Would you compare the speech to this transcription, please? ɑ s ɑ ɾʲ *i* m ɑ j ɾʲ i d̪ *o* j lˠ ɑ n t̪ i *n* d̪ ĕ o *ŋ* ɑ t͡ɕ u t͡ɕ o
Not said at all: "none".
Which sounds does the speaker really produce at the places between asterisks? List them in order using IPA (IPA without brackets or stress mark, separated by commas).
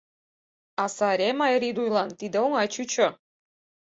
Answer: e, u, none, ŋ